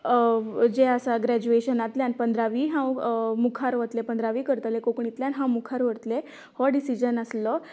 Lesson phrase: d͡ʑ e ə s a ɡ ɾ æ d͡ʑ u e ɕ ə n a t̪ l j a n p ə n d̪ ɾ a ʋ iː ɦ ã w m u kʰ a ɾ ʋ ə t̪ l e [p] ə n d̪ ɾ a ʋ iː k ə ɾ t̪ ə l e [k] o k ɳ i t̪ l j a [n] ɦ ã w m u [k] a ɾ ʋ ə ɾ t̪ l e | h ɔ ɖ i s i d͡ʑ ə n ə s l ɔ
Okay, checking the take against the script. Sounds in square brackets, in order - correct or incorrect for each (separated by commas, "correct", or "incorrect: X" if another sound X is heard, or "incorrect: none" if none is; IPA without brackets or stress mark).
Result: correct, correct, correct, incorrect: kʰ